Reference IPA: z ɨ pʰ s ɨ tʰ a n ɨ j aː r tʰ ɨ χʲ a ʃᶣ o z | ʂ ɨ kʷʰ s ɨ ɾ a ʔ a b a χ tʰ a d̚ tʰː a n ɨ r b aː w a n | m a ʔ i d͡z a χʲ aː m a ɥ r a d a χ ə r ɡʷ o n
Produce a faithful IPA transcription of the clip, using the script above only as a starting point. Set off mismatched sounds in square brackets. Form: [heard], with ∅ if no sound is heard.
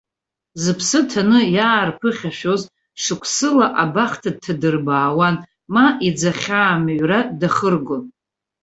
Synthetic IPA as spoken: z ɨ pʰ s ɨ tʰ a n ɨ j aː r [pʰ] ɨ χʲ a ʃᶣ o z | ʂ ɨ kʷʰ s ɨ [l] a ʔ a b a χ tʰ a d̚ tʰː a [d] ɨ r b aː w a n | m a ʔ i d͡z a χʲ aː m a ɥ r a d a χ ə r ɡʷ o n